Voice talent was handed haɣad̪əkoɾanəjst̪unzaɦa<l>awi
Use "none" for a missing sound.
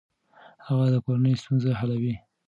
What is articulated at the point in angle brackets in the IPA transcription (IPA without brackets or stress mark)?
l